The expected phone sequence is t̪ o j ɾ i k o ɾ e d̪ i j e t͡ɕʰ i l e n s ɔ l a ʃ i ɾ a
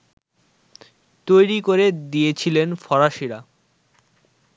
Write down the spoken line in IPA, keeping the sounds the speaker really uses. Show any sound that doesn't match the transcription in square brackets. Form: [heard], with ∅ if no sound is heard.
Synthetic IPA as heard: t̪ o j ɾ i k o ɾ e d̪ i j e t͡ɕʰ i l e n [f] ɔ [ɾ] a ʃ i ɾ a